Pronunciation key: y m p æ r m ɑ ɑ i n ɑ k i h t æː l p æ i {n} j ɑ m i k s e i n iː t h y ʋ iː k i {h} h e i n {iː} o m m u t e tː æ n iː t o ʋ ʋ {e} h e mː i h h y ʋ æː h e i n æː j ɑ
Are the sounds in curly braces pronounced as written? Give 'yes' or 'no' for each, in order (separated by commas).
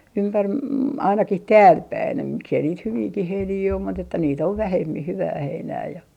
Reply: yes, yes, yes, no